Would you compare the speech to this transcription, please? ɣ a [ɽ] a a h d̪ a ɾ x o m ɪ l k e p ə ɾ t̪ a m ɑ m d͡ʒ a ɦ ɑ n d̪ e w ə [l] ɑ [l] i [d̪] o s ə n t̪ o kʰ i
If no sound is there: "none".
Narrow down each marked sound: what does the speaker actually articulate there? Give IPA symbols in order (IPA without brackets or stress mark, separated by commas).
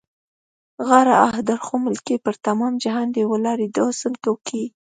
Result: ɾ, l, ɾ, d̪